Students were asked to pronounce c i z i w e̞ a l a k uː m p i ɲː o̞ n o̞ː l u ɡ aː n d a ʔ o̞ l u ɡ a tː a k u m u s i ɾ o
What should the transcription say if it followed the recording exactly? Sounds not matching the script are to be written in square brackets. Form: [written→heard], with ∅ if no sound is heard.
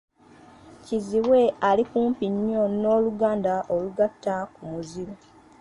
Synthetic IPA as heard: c i z i w e̞ a l [a→i] k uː m p i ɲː o̞ n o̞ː l u ɡ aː n d a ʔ o̞ l u ɡ a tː a k u m u [s→z] i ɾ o